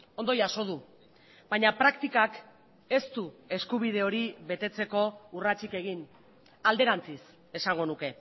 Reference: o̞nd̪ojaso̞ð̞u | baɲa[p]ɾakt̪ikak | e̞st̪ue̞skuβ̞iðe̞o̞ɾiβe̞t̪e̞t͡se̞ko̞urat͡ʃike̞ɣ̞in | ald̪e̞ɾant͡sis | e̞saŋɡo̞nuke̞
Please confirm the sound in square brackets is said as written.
yes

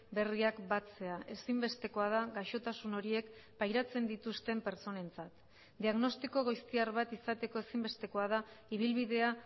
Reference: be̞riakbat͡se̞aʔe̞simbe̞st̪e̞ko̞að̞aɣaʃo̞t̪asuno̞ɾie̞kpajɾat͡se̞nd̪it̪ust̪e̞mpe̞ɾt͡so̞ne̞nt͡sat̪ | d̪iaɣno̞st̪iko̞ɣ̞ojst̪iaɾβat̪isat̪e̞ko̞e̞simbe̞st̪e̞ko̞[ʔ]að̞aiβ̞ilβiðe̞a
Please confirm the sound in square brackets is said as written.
no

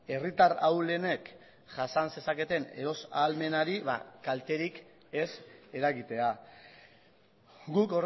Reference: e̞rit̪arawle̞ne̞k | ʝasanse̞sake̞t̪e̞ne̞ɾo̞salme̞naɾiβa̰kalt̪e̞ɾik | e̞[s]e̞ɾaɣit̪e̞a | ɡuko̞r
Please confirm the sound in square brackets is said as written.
yes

